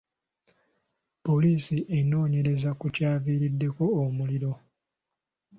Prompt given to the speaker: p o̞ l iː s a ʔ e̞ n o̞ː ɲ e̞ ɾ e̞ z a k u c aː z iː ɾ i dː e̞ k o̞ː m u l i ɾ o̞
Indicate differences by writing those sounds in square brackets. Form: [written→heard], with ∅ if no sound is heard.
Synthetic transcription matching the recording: p o̞ l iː s [a→i] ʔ e̞ n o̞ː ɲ e̞ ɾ e̞ z a k u c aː [z→v] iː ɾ i dː e̞ k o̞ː m u l i ɾ o̞